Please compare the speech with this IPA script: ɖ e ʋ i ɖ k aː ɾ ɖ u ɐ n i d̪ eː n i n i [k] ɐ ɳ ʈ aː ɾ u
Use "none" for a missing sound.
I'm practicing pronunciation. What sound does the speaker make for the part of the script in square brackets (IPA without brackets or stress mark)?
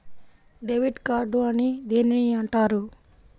none